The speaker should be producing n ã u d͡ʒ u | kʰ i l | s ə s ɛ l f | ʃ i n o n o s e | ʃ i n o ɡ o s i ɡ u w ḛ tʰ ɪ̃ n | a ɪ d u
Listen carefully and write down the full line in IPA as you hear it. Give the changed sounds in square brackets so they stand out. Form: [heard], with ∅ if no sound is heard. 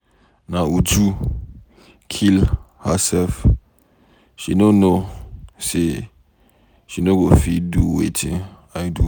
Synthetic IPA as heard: n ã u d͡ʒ u | kʰ i l | [h] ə s ɛ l f | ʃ i n o n o s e | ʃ i n o ɡ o [f] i [d] u w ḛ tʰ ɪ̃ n | a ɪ d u